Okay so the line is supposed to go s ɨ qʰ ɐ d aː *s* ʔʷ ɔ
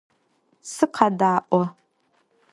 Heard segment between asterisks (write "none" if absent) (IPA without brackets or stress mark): none